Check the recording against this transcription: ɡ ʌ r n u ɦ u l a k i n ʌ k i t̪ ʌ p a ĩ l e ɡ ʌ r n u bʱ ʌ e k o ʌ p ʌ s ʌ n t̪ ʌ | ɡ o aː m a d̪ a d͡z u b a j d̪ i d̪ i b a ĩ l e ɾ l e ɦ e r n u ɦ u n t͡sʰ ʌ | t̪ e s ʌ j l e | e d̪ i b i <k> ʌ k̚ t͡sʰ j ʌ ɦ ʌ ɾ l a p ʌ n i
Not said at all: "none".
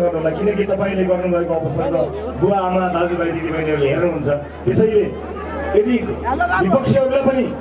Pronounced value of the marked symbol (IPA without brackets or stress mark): p